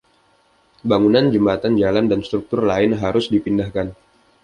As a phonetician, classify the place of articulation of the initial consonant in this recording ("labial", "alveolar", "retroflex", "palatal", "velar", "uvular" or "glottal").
labial